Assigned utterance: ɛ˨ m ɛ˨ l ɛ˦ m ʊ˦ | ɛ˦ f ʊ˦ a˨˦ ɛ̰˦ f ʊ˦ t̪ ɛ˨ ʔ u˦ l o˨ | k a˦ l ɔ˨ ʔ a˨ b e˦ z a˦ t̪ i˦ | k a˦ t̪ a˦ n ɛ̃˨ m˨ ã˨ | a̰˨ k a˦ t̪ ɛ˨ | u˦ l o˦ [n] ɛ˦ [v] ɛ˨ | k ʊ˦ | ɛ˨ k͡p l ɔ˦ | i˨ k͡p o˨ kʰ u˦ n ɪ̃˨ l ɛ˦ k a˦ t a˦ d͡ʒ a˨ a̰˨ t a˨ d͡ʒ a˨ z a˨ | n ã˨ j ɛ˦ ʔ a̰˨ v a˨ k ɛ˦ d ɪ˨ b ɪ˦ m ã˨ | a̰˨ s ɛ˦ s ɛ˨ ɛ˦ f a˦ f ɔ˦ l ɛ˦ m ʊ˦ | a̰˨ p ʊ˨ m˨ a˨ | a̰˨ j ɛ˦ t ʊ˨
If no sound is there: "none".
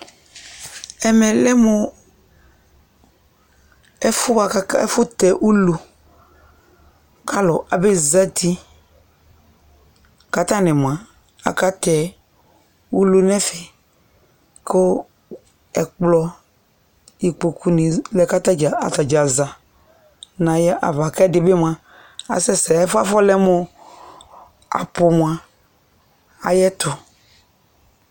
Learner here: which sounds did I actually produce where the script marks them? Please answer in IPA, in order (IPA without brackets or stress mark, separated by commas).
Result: n, f